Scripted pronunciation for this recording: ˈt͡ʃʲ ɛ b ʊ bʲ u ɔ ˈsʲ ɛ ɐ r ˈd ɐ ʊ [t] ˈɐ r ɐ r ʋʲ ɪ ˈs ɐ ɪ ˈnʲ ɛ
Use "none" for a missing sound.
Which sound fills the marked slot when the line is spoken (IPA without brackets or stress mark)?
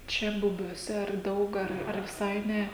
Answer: k